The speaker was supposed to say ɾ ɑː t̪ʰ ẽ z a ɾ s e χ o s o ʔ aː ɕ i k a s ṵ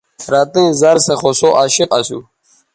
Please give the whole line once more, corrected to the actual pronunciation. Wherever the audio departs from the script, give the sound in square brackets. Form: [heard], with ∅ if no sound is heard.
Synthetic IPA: ɾ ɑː [t̪] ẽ z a ɾ s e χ o s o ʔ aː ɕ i [q] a s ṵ